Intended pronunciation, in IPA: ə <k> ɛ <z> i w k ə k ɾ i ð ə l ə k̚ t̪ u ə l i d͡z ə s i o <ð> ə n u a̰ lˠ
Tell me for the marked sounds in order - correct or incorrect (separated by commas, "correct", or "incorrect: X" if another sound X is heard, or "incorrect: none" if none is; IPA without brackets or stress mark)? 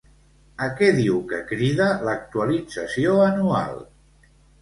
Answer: correct, incorrect: ð, incorrect: none